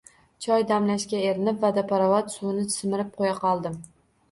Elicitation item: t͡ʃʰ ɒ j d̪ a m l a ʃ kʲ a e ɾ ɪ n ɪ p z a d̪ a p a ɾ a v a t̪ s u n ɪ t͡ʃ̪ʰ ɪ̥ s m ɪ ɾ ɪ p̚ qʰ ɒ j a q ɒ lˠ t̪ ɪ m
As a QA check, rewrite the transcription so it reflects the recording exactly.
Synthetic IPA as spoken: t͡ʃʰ ɒ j d̪ a m l a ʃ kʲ a e ɾ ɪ n ɪ p v a d̪ a p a ɾ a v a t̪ s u n ɪ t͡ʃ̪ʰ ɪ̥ s m ɪ ɾ ɪ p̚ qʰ o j a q ɒ lˠ d̪ ɪ m